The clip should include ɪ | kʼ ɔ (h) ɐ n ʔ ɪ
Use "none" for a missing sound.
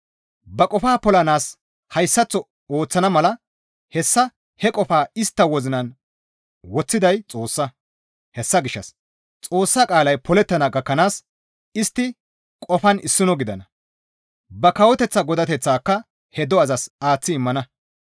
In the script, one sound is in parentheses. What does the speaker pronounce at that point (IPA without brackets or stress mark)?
f